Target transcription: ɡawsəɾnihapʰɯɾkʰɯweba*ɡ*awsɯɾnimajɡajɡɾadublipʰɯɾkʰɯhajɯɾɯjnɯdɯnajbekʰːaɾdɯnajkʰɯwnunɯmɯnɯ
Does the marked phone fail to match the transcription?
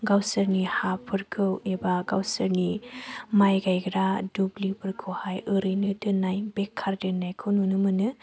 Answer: no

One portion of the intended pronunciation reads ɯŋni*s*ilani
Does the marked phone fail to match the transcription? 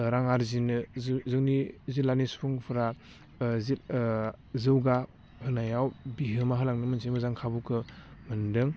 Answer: yes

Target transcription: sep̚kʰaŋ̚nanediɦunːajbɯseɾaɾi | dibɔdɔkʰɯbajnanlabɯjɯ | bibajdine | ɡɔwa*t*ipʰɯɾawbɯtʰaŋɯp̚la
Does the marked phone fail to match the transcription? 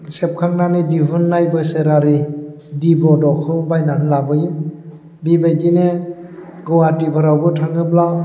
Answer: no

